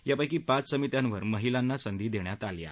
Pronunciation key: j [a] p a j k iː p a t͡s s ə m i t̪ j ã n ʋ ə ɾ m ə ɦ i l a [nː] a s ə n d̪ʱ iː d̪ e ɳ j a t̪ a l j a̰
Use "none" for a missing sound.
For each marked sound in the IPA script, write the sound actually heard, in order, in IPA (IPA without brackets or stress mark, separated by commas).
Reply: a, nː